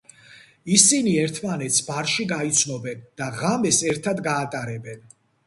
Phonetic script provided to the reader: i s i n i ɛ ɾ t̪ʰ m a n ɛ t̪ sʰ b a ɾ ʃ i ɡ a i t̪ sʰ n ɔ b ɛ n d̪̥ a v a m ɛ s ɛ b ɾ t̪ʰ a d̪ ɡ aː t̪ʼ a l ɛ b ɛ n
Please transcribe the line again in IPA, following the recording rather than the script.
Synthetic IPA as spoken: i s i n i ɛ ɾ t̪ʰ m a n ɛ t̪ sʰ b a ɾ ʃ i ɡ a i t̪ sʰ n ɔ b ɛ n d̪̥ a ʁ a m ɛ s ɛ ɾ t̪ʰ a d̪ ɡ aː t̪ʼ a ɾ ɛ b ɛ n